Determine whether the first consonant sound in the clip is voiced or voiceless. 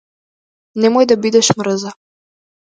voiced